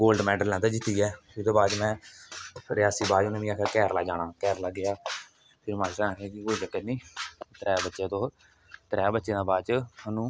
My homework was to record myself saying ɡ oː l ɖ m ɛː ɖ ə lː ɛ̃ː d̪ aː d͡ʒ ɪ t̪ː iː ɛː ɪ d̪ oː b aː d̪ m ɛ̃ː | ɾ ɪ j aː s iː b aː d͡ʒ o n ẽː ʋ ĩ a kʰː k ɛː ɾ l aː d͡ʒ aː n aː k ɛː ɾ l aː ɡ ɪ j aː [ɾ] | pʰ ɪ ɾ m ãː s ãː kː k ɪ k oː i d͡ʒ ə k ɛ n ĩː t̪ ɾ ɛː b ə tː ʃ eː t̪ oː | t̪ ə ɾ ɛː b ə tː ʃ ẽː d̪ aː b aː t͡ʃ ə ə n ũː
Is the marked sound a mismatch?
yes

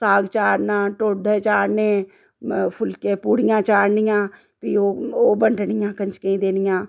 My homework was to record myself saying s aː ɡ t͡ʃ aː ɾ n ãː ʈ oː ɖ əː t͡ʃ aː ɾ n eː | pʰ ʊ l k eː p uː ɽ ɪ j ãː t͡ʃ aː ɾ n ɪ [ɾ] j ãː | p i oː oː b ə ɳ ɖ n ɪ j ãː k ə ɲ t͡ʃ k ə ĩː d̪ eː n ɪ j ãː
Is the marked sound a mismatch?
yes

